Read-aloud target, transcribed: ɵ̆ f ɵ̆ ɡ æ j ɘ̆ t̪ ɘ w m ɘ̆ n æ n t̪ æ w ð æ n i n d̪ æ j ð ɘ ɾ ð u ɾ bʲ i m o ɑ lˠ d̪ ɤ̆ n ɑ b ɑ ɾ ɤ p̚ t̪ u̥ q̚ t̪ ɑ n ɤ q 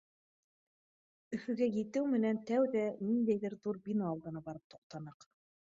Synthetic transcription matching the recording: ɵ̆ f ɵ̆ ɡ æ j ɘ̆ t̪ ɘ w m ɘ̆ n æ n t̪ æ w ð æ n i n d̪ æ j ð ɘ ɾ ð u ɾ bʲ i n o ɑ lˠ d̪ ɤ̆ n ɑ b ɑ ɾ ɤ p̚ t̪ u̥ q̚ t̪ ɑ n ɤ q

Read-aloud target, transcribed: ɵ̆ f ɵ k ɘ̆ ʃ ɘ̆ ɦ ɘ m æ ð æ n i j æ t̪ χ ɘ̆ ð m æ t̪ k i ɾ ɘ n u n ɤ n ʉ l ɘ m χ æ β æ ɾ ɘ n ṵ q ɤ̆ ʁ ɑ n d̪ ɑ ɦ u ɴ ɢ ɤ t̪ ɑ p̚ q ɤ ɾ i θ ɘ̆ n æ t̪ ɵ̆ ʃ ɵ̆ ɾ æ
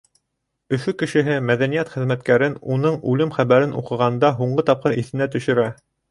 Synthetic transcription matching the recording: ɵ̆ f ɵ k ɘ̆ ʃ ɘ̆ ɦ ɘ m æ ð æ n i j æ t̪ χ ɘ̆ ð m æ t̪ k æ ɾ ɘ n u n ɤ ɴ ʉ l ɘ m χ æ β æ ɾ ɘ n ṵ q ɤ̆ ʁ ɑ n d̪ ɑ ɦ u ɴ ɢ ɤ t̪ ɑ p̚ q ɤ ɾ i θ ɘ̆ n æ t̪ ɵ̆ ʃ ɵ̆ ɾ æ

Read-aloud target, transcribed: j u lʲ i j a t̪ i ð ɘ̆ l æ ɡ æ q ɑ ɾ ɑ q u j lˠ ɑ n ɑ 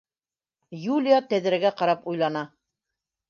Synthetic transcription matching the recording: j u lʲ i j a t̪ æ ð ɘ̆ ɾ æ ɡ æ q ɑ ɾ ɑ p u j lˠ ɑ n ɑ

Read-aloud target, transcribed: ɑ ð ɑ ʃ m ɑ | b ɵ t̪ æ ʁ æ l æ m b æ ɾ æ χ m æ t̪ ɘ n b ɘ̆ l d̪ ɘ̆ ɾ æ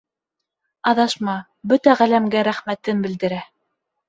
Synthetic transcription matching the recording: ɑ ð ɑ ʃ m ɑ | b ɵ t̪ æ ʁ æ l æ m ɡ æ ɾ æ χ m æ t̪ ɘ n b ɘ̆ l d̪ ɘ̆ ɾ æ

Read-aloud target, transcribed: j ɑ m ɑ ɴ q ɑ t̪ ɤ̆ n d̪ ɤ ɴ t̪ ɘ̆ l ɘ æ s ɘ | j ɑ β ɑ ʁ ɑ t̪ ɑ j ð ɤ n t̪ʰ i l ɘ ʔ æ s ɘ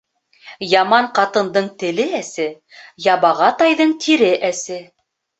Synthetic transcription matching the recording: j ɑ m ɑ ɴ q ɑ t̪ ɤ̆ n d̪ ɤ ɴ t̪ ɘ̆ l ɘ æ s ɘ | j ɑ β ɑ ʁ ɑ t̪ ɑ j ð ɤ ɴ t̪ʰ i ɾ ɘ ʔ æ s ɘ

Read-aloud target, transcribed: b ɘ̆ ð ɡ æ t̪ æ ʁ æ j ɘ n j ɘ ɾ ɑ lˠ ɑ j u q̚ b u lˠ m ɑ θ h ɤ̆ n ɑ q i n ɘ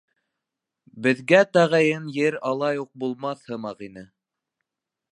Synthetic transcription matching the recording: b ɘ̆ ð ɡ æ t̪ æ ʁ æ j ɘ n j ɘ ɾ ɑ lˠ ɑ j u q̚ b u lˠ m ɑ θ h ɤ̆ m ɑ q i n ɘ

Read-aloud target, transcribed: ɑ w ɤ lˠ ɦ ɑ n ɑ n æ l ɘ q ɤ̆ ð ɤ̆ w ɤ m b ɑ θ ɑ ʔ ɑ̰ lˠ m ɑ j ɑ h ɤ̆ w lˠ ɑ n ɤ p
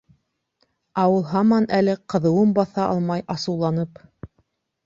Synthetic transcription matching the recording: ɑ w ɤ lˠ ɦ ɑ m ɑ n æ l ɘ q ɤ̆ ð ɤ̆ w ɤ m b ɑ θ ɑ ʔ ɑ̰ lˠ m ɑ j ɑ s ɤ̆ w lˠ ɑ n ɤ p

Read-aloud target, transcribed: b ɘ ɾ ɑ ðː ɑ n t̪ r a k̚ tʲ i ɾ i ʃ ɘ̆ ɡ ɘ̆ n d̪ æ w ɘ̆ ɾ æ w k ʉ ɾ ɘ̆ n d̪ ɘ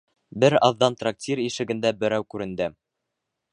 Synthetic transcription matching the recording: b ɘ ɾ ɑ ðː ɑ n t̪ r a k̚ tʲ i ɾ i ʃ ɘ̆ ɡ ɘ̆ n d̪ æ b ɘ̆ ɾ æ w k ʉ ɾ ɘ̆ n d̪ ɘ

